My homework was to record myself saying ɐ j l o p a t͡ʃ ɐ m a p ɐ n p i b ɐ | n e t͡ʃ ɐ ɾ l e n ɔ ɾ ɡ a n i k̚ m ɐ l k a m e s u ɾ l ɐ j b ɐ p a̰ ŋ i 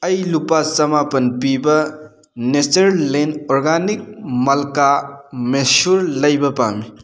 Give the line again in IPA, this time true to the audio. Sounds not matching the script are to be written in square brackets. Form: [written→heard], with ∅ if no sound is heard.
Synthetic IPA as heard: ɐ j l [o→u] p a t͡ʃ ɐ m a p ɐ n p i b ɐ | n e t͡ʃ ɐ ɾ l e n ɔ ɾ ɡ a n i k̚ m ɐ l k a m e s u ɾ l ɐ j b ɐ p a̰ [ŋ→m] i